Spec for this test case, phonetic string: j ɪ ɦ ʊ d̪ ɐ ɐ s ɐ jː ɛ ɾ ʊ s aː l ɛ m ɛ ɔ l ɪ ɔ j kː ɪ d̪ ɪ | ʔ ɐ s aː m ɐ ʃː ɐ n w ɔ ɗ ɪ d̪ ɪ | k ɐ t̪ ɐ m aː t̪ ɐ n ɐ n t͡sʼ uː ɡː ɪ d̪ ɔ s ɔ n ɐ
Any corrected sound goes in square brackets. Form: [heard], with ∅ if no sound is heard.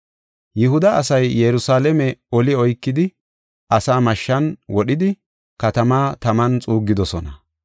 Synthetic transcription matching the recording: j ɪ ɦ ʊ d̪ ɐ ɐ s ɐ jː ɛ ɾ ʊ s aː l ɛ m ɛ ɔ l ɪ ɔ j kː ɪ d̪ ɪ | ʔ ɐ s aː m ɐ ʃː ɐ n w ɔ ɗ ɪ d̪ ɪ | k ɐ t̪ ɐ m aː t̪ ɐ [m] ɐ n t͡sʼ uː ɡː ɪ d̪ ɔ s ɔ n ɐ